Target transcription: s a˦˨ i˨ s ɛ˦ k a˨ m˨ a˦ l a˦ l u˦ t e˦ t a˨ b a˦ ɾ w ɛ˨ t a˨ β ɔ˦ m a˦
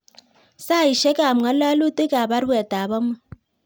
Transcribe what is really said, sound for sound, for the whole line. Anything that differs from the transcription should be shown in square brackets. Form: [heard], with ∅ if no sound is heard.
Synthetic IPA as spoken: s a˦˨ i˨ [ʃ] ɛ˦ k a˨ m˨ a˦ l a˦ l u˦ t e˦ [k] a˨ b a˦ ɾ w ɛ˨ t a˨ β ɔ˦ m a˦